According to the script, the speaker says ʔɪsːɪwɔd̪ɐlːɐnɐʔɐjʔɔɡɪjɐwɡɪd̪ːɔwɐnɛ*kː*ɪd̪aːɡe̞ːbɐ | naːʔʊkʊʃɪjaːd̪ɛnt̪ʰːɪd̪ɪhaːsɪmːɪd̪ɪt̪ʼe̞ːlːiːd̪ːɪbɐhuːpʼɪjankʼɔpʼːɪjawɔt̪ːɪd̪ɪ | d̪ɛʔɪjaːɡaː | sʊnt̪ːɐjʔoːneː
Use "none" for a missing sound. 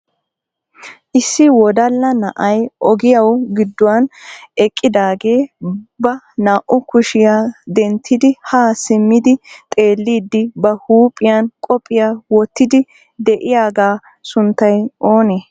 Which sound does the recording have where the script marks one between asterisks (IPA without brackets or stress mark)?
kʼː